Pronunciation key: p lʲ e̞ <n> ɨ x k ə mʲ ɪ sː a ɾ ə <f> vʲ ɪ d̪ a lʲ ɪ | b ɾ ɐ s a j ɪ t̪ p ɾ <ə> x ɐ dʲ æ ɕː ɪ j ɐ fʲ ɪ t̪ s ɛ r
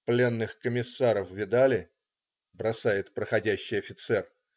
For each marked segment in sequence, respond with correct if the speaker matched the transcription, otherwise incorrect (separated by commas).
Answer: incorrect, correct, correct